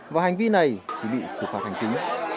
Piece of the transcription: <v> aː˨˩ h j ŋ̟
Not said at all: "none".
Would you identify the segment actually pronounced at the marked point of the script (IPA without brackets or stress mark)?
v